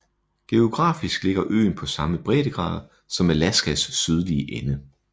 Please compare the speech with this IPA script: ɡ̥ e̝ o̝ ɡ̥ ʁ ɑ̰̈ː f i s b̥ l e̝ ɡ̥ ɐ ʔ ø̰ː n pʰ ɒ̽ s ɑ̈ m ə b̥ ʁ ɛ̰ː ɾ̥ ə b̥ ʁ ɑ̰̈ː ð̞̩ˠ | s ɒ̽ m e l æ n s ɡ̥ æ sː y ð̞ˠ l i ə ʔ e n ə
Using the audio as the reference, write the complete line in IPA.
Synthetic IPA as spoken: ɡ̥ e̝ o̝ ɡ̥ ʁ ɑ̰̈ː f i s ɡ̥ l e̝ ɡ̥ ɐ ʔ ø̰ː n pʰ ɒ̽ s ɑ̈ m ə b̥ ʁ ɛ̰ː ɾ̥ ə ɡ̥ ʁ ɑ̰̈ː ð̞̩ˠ | s ɒ̽ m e l æ s ɡ̥ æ sː y ð̞ˠ l i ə ʔ e n ə